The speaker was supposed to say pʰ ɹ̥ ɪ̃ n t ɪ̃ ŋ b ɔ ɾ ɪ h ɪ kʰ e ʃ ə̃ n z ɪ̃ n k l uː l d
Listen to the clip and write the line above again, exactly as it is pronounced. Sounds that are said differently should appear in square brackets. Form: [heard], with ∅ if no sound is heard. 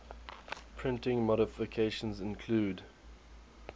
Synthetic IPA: pʰ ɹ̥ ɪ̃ n t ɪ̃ ŋ [m] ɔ ɾ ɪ [f] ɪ kʰ e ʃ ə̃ n z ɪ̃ n [kʰ] l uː [∅] d